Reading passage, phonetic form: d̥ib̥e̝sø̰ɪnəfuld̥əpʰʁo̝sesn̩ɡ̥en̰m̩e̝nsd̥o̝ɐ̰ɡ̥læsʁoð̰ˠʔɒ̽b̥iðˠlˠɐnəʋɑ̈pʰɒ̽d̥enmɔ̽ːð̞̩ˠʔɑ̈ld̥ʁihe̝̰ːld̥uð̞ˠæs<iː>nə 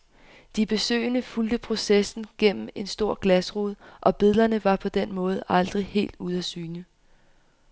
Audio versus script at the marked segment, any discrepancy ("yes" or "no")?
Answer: yes